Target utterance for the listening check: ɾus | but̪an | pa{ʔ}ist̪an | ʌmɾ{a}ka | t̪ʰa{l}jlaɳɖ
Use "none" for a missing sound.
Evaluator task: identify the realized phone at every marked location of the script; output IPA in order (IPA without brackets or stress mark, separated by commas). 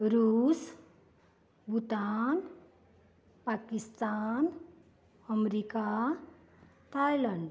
k, i, none